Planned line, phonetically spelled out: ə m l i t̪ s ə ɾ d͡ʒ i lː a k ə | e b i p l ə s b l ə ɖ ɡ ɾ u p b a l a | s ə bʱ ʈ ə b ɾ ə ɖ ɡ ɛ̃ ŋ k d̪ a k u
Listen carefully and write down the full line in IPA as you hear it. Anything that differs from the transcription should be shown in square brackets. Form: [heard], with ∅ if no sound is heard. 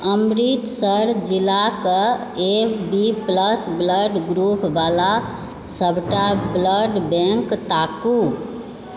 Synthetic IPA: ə m [ɾ] i t̪ s ə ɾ d͡ʒ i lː a k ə | e b i p l ə s b l ə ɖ ɡ ɾ u p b a l a | s ə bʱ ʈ [a] b [l] ə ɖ [b] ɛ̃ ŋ k [t̪] a k u

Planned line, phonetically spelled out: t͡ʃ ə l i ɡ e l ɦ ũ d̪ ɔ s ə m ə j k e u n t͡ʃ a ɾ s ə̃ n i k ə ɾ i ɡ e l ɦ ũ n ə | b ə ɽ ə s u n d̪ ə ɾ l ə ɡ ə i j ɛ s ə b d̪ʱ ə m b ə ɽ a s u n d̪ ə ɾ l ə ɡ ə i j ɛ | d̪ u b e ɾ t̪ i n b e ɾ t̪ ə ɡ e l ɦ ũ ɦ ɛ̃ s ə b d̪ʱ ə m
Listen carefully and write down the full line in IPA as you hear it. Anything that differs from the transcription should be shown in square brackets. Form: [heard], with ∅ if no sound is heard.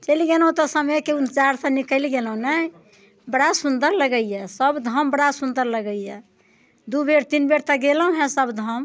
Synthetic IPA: t͡ʃ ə l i ɡ e l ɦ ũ [t̪] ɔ s ə m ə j k e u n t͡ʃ a ɾ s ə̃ n i k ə [l] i ɡ e l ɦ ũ n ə | b ə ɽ [a] s u n d̪ ə ɾ l ə ɡ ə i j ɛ s ə b d̪ʱ ə m b ə ɽ a s u n d̪ ə ɾ l ə ɡ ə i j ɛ | d̪ u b e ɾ t̪ i n b e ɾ t̪ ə ɡ e l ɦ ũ ɦ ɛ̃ s ə b d̪ʱ ə m

